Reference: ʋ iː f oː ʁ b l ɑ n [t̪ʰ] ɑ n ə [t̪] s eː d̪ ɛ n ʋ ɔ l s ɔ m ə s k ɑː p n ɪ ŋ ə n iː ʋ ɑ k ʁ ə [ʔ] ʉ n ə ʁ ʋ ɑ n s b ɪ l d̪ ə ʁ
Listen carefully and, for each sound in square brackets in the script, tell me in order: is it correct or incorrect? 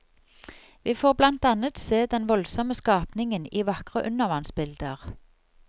incorrect: t̪, correct, correct

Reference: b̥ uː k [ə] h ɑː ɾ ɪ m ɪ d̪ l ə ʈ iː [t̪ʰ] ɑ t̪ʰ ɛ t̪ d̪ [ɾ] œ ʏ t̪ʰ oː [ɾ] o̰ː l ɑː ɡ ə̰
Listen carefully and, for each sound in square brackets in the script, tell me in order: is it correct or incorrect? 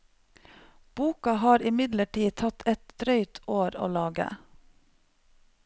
incorrect: ɑ, correct, correct, correct

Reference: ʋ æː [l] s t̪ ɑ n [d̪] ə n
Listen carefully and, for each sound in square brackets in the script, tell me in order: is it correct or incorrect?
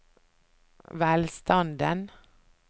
correct, correct

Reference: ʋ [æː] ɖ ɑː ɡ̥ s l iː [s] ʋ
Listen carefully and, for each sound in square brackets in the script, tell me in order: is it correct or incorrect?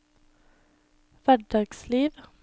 incorrect: æ, incorrect: none

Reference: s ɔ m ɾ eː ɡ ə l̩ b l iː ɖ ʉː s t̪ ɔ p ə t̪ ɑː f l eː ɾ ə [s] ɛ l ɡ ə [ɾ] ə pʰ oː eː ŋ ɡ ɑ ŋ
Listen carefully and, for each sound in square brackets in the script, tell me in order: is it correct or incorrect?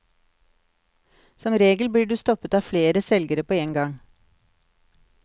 correct, correct

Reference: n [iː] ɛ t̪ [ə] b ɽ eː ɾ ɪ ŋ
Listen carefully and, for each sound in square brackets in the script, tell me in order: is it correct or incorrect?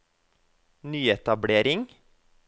incorrect: yː, incorrect: ɑ

